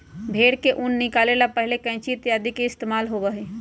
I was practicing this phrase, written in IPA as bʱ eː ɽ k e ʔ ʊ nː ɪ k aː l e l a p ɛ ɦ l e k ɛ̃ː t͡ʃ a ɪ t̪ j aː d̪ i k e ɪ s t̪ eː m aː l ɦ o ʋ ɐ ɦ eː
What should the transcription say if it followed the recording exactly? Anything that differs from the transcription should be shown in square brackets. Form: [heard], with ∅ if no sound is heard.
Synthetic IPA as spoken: bʱ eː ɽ k e ʔ ʊ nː ɪ k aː l e l a p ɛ ɦ l e k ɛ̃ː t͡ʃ [i] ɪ t̪ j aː d̪ i k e ɪ s t̪ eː m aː l ɦ o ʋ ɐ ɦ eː